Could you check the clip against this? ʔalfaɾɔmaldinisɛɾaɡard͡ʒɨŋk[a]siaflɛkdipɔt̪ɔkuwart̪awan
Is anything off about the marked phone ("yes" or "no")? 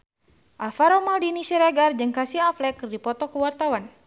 no